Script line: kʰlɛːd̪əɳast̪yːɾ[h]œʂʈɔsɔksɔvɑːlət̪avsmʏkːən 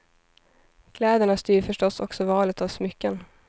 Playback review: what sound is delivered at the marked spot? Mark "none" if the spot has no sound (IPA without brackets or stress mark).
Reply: f